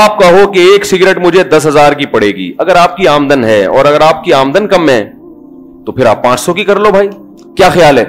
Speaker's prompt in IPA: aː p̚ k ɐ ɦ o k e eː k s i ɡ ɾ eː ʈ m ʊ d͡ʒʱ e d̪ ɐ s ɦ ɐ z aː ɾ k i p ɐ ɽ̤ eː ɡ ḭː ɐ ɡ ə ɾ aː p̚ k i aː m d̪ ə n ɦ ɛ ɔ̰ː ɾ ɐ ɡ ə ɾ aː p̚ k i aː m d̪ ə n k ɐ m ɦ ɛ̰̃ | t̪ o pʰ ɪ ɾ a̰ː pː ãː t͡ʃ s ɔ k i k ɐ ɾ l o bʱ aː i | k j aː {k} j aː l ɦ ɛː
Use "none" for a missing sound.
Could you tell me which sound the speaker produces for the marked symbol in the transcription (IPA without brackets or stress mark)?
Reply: x